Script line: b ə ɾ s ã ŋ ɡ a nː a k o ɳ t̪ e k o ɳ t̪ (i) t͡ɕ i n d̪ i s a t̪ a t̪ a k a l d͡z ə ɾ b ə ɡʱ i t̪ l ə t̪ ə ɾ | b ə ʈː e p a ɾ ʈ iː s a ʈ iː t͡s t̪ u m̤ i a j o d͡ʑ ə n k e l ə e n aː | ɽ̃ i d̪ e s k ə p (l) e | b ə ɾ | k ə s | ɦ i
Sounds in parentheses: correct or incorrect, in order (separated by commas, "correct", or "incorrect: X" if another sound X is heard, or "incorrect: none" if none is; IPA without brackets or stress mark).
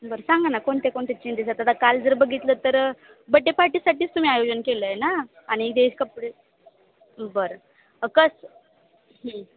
incorrect: e, incorrect: ɽ